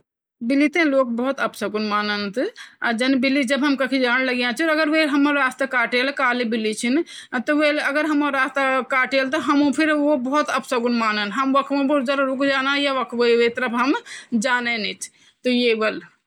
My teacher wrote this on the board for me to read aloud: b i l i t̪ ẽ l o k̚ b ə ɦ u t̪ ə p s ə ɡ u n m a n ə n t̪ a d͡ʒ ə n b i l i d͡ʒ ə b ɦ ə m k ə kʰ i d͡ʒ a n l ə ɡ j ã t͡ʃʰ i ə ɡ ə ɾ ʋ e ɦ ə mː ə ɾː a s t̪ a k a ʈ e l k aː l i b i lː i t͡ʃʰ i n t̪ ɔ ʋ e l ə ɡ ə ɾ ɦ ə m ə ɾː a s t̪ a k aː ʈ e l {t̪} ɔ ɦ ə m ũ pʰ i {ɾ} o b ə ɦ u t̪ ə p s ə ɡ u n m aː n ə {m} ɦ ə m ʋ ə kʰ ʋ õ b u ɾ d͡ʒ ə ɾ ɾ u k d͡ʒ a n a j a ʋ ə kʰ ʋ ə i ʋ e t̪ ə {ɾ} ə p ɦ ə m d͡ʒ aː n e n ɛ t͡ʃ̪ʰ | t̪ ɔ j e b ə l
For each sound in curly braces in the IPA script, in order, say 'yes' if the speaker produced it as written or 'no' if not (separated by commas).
yes, yes, no, yes